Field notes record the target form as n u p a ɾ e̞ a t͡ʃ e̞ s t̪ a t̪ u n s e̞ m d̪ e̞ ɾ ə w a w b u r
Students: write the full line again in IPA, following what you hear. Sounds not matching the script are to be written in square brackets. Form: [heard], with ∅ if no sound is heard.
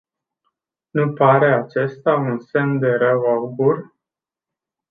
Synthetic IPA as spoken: n u p a ɾ e̞ a t͡ʃ e̞ s t̪ a [∅] u n s e̞ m d̪ e̞ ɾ ə w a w b u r